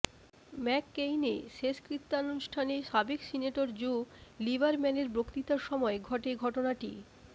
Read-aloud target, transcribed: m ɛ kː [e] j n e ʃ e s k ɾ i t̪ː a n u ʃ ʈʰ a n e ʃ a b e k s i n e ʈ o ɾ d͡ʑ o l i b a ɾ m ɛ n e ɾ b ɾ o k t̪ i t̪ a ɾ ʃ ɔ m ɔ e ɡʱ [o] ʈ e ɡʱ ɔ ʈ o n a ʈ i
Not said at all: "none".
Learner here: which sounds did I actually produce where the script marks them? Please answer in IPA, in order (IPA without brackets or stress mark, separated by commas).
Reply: e, ɔ